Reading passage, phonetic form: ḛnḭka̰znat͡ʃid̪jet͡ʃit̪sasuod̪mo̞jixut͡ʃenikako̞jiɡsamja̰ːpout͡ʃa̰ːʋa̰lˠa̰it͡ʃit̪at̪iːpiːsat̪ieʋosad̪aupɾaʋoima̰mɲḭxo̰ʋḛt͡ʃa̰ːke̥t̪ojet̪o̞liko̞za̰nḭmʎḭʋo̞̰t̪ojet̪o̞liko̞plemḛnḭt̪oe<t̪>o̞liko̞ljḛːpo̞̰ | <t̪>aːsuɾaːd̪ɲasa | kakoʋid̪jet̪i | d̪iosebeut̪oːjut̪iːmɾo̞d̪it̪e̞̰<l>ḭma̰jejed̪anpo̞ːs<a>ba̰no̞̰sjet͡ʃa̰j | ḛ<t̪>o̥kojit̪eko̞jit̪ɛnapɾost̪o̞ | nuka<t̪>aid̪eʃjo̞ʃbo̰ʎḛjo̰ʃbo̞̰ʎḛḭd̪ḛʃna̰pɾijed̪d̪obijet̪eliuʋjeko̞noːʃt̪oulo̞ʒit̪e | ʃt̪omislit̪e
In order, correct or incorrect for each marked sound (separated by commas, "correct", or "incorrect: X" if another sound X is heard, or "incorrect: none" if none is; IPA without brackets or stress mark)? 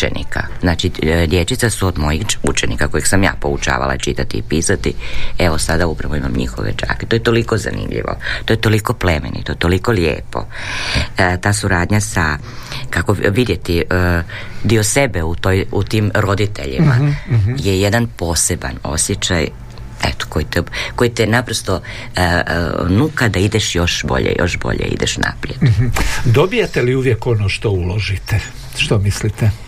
correct, correct, incorrect: ʎ, incorrect: e, correct, incorrect: d̪